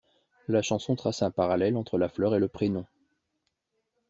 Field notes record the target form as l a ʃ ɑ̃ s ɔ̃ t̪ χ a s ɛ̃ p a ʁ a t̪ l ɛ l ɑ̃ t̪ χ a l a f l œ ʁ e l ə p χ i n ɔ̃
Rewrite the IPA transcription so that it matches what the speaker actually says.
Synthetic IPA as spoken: l a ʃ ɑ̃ s ɔ̃ t̪ χ a s ɛ̃ p a ʁ a l ɛ l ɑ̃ t̪ χ ə l a f l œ ʁ e l ə p χ e n ɔ̃